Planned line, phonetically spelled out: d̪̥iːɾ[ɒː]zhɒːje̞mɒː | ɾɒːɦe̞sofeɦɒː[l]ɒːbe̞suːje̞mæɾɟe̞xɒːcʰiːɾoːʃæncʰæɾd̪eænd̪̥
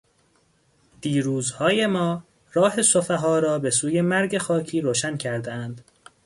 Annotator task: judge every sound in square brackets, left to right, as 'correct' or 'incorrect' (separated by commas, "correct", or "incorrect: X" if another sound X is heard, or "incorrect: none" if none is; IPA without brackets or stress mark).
incorrect: uː, incorrect: ɾ